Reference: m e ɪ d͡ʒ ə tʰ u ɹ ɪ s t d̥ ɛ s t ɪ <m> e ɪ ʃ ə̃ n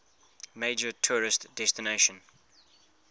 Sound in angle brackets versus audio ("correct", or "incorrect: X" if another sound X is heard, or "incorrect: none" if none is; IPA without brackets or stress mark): incorrect: n